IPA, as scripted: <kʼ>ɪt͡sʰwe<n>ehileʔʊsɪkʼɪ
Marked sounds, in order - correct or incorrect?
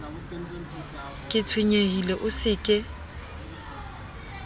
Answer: correct, incorrect

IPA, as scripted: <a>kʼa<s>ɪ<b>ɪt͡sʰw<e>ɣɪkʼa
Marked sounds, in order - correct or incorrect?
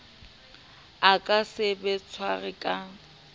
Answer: correct, correct, correct, incorrect

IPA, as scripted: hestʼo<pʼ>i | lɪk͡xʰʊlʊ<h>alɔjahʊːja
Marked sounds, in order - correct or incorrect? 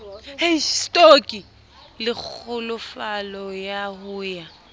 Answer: incorrect, incorrect

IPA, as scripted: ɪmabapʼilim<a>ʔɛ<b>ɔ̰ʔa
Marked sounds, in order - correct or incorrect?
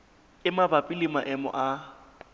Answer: correct, incorrect

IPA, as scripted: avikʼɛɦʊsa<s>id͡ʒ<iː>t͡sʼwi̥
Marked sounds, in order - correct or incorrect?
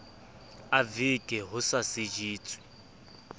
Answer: correct, correct

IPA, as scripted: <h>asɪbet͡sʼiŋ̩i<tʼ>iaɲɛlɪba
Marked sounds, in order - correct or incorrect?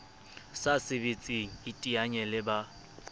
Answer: incorrect, correct

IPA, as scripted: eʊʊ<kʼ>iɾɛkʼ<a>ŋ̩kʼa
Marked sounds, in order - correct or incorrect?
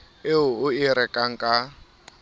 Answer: incorrect, correct

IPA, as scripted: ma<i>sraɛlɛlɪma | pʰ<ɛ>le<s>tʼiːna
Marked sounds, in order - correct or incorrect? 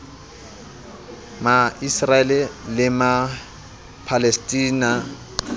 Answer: correct, incorrect, correct

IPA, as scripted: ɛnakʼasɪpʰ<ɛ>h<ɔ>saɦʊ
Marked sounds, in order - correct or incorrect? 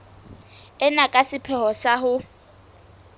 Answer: correct, correct

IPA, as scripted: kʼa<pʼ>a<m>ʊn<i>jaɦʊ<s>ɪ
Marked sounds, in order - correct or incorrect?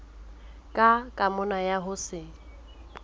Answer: incorrect, correct, incorrect, correct

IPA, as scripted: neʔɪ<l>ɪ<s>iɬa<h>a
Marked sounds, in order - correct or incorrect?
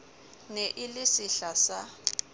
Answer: correct, correct, incorrect

